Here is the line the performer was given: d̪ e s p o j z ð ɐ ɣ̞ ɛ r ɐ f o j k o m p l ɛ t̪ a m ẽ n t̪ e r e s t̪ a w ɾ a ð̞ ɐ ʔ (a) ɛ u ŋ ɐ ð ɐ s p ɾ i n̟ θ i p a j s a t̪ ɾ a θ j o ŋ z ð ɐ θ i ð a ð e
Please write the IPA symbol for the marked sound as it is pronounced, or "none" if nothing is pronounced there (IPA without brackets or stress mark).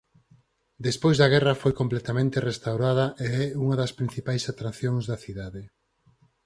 e